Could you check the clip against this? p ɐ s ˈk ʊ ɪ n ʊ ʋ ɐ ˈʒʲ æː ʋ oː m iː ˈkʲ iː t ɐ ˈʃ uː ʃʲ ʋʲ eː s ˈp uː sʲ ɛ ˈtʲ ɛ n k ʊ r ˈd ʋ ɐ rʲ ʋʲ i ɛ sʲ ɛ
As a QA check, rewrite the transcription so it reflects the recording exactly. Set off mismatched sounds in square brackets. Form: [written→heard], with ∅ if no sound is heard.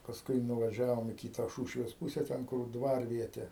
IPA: p ɐ s ˈk ʊ ɪ n ʊ ʋ ɐ ˈʒʲ æː ʋ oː m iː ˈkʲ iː t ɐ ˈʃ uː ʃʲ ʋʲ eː s ˈp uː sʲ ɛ ˈtʲ ɛ n k ʊ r ˈd ʋ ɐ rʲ ʋʲ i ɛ [sʲ→tʲ] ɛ